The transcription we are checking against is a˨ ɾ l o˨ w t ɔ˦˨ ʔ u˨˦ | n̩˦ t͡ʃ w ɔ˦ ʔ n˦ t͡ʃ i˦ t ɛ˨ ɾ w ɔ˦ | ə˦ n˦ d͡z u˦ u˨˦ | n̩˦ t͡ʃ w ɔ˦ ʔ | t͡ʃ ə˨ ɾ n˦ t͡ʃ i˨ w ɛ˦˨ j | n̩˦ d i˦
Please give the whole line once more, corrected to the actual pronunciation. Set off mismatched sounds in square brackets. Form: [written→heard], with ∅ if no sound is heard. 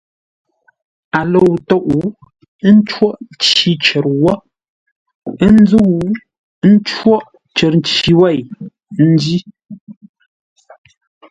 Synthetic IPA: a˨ [ɾ→∅] l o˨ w t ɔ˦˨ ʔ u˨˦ | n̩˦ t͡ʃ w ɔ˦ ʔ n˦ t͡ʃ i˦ [t→t͡ʃ] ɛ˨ ɾ w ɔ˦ | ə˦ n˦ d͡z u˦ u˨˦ | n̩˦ t͡ʃ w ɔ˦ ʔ | t͡ʃ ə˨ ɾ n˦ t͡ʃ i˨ w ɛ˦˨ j | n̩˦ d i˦